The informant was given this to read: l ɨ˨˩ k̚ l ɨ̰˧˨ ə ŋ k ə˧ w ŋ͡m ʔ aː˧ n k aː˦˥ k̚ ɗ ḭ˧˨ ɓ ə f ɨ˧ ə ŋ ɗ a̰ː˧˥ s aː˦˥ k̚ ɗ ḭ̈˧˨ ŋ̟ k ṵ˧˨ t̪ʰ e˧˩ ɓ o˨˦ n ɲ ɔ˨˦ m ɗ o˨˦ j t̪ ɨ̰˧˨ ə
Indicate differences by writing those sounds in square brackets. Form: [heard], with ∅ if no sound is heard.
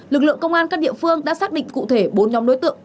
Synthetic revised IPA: l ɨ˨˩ k̚ l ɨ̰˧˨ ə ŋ k ə˧ w ŋ͡m ʔ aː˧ n k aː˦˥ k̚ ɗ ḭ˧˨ [∅] ə f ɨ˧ ə ŋ ɗ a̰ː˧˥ s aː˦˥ k̚ ɗ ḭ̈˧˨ ŋ̟ k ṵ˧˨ t̪ʰ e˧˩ ɓ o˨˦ n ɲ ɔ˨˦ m ɗ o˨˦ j t̪ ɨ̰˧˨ ə